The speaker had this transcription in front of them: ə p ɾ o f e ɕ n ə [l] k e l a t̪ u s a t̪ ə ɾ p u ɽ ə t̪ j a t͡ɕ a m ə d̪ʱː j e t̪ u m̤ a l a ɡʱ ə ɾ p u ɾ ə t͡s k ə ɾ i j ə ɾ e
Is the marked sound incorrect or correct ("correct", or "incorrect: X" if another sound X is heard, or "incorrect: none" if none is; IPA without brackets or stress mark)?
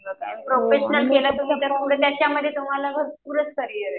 correct